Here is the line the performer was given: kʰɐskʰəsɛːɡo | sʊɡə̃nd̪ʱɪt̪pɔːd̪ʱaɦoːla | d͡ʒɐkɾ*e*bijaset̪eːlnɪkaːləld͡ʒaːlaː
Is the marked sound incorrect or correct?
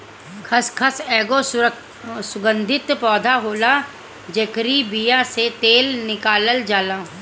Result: incorrect